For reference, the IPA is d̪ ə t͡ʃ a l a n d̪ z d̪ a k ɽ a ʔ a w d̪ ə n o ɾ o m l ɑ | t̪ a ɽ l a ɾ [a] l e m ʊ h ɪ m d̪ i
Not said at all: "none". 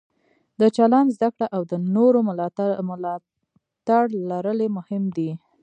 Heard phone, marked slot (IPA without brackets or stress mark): ə